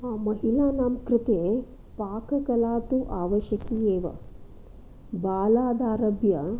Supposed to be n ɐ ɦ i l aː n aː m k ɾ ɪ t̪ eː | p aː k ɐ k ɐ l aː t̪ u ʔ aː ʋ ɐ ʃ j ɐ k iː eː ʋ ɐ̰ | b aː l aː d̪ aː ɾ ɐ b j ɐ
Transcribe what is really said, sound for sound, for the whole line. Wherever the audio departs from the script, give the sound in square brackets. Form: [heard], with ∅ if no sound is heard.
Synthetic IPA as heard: [m] ɐ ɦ i l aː n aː m k ɾ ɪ t̪ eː | p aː k ɐ k ɐ l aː t̪ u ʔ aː ʋ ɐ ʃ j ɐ k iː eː ʋ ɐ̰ | b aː l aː d̪ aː ɾ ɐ b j ɐ